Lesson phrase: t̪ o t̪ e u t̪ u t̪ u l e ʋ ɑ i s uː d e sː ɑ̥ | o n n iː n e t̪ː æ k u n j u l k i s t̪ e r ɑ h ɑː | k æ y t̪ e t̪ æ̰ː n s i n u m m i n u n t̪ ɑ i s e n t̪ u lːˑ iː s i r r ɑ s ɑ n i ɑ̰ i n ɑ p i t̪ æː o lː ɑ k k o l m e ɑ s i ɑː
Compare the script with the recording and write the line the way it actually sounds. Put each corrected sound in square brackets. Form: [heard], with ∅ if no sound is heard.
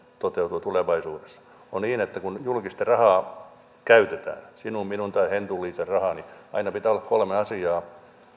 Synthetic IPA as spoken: t̪ o t̪ e u t̪ u t̪ u l e ʋ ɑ i s uː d e sː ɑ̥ | o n n iː n e t̪ː æ k u n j u l k i s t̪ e r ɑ h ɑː | k æ y t̪ e t̪ æ̰ː n s i n u m m i n u n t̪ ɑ i [h] e n t̪ u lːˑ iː s [e] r r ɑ [h] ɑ n i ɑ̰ i n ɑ p i t̪ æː o lː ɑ k k o l m e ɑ s i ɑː